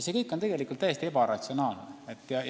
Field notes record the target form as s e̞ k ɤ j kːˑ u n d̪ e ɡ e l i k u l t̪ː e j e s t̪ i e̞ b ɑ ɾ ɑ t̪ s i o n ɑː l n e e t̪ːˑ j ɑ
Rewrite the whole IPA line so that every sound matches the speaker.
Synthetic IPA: s e̞ k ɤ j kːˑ o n t̪ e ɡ e l i k u l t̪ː æ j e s t̪ i e̞ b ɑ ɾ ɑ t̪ s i o n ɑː l n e e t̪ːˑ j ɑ